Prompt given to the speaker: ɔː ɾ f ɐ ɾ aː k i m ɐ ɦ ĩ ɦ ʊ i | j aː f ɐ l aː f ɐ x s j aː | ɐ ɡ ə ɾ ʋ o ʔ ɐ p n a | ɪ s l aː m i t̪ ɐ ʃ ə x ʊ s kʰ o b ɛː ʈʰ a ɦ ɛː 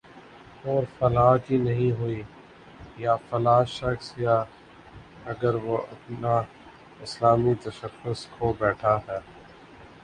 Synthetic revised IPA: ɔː ɾ f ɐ l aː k i n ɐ ɦ ĩ ɦ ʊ i | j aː f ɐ l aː ʃ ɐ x s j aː | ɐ ɡ ə ɾ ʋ o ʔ ɐ p n a | ɪ s l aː m i t̪ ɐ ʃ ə x ʊ s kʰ o b ɛː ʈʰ a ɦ ɛː